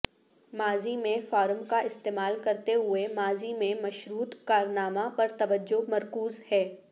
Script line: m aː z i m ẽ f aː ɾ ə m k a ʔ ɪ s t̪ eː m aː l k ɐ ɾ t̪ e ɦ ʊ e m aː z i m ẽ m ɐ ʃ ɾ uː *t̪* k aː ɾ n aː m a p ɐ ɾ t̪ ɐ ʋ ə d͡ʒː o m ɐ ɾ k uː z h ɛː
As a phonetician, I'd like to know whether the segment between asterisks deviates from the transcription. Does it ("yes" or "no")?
no